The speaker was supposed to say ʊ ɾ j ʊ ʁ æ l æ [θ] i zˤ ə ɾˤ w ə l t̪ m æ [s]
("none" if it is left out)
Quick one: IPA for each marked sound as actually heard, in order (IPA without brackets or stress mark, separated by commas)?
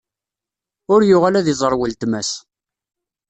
ð, s